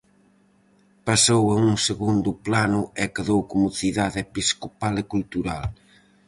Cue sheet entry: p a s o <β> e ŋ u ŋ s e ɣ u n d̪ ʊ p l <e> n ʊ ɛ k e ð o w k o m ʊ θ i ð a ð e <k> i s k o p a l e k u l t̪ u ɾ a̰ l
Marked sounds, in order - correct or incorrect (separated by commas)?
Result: incorrect, incorrect, incorrect